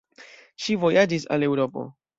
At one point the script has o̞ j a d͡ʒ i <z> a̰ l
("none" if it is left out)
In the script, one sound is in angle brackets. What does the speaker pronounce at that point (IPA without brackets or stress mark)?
s